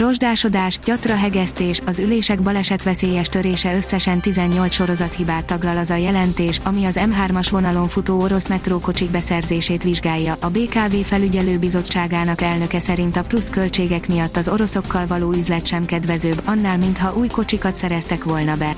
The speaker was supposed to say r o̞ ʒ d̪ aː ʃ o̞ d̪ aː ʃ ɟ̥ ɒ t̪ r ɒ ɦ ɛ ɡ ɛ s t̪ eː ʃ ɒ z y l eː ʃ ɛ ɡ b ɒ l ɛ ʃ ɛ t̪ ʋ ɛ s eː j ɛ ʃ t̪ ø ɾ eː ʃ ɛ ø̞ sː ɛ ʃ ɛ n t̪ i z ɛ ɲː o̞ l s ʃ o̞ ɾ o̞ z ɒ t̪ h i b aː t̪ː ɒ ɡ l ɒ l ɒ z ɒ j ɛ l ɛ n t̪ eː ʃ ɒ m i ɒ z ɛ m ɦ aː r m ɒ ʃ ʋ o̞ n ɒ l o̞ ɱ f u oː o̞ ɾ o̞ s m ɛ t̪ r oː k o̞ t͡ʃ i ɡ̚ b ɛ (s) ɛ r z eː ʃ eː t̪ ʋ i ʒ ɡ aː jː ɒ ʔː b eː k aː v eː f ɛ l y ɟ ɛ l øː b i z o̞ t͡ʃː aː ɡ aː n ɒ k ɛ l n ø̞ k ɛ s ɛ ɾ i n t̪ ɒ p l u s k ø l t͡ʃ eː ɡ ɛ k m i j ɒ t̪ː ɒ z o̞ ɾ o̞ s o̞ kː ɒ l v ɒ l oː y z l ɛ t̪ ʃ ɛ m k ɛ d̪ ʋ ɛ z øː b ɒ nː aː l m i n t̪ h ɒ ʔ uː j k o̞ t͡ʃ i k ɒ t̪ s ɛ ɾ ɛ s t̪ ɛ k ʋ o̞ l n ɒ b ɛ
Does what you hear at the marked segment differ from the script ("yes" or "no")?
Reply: no